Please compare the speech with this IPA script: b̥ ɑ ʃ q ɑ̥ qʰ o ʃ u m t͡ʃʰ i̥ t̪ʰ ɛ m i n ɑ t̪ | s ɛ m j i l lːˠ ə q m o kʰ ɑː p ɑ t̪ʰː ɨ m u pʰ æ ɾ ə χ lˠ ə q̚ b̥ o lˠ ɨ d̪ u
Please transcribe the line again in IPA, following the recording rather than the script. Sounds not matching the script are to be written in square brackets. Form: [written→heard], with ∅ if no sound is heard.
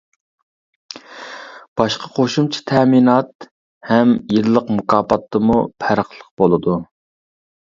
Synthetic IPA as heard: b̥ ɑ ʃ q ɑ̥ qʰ o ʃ u m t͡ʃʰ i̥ t̪ʰ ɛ m i n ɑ t̪ | [s→h] ɛ m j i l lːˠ ə q m [o→u] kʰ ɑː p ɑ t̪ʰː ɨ m u pʰ æ ɾ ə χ lˠ ə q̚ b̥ o lˠ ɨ d̪ u